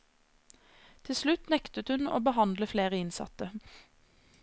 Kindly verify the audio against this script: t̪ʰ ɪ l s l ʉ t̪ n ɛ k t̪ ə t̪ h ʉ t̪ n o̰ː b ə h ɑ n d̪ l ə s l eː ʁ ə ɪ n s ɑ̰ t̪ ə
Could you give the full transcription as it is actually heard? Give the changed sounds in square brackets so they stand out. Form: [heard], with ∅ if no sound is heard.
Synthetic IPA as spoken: t̪ʰ ɪ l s l ʉ t̪ n ɛ k t̪ ə t̪ h ʉ [∅] n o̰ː b ə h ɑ n d̪ l ə [f] l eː ʁ ə ɪ n s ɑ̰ t̪ ə